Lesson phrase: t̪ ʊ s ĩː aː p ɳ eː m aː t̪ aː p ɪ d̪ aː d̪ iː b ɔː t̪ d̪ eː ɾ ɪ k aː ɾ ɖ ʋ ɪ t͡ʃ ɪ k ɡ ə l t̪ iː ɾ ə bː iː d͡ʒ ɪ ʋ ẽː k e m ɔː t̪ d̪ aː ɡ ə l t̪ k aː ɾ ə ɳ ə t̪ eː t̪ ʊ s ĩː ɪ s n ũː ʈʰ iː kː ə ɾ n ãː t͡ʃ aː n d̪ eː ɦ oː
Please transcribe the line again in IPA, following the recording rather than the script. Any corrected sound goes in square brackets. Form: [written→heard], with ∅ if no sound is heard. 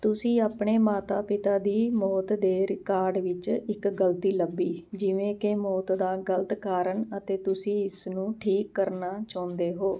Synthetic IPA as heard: t̪ ʊ s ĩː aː p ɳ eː m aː t̪ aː p ɪ [d̪→t̪] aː d̪ iː [b→m] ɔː t̪ d̪ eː ɾ ɪ k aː ɾ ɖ ʋ ɪ t͡ʃ ɪ k ɡ ə l t̪ iː [ɾ→l] ə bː iː d͡ʒ ɪ ʋ ẽː k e m ɔː t̪ d̪ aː ɡ ə l t̪ k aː ɾ ə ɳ ə t̪ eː t̪ ʊ s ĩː ɪ s n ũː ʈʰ iː kː ə ɾ n [ãː→aː] t͡ʃ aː n d̪ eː ɦ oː